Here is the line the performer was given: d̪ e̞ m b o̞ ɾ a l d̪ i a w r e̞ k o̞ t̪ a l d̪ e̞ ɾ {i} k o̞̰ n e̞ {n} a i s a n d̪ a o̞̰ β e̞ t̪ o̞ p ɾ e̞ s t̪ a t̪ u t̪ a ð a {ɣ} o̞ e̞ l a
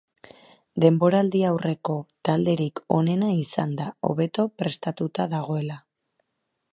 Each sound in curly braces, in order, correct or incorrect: correct, correct, correct

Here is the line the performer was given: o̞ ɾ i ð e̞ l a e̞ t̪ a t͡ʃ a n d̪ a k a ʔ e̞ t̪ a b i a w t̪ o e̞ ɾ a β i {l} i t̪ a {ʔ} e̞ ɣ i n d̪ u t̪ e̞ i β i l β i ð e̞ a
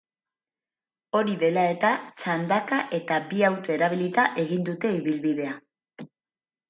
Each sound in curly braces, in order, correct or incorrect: correct, correct

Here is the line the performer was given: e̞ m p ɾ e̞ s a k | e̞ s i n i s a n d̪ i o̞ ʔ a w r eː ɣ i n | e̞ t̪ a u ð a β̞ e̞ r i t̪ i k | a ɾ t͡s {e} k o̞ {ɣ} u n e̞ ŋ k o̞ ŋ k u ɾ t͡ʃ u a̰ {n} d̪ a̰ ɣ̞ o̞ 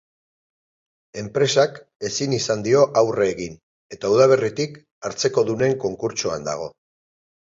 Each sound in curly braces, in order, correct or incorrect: correct, incorrect: ð, correct

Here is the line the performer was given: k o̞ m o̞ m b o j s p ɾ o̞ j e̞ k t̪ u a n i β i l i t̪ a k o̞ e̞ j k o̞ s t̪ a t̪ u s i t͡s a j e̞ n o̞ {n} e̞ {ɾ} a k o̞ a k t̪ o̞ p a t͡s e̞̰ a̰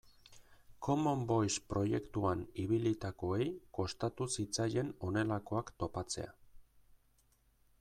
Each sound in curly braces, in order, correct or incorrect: correct, incorrect: l

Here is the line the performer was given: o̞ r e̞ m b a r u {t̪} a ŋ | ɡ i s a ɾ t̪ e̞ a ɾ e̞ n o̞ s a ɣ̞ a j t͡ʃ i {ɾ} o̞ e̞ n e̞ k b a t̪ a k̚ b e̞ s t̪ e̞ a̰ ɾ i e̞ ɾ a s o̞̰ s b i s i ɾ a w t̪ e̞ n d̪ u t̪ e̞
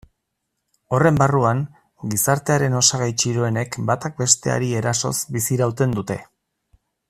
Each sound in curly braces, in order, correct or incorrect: incorrect: none, correct

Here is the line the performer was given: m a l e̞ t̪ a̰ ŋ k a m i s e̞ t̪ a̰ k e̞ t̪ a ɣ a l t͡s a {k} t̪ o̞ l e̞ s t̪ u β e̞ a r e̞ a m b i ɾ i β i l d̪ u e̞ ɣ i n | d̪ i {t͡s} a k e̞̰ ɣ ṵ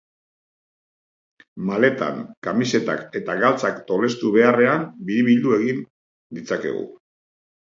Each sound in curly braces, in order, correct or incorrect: correct, correct

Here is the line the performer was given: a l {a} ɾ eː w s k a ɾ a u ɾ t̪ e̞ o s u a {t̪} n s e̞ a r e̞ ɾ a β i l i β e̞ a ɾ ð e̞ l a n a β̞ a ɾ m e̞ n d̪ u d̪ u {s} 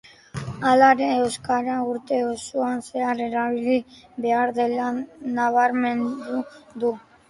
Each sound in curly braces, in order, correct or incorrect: correct, incorrect: none, incorrect: none

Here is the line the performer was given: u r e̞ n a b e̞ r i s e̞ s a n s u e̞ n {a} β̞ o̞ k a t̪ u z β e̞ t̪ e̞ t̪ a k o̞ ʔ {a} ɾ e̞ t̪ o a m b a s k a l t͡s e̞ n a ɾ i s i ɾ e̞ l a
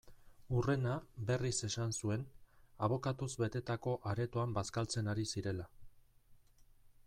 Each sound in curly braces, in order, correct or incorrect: correct, correct

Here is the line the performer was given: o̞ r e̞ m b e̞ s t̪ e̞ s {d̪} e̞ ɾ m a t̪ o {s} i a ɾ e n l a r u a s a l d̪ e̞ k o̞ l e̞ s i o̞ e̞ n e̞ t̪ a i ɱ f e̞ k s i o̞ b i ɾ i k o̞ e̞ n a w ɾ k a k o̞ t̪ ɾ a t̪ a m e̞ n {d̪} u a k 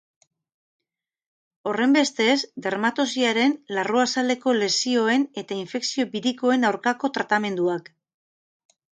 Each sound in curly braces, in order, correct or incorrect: correct, correct, correct

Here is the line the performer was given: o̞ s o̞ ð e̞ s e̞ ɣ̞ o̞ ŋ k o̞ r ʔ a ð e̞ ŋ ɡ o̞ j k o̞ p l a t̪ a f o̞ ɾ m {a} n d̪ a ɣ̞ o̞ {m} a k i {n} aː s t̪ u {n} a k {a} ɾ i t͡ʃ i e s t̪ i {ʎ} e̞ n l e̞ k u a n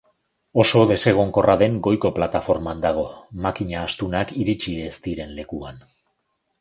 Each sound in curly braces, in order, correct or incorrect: correct, correct, incorrect: ɲ, correct, incorrect: i, incorrect: ɾ

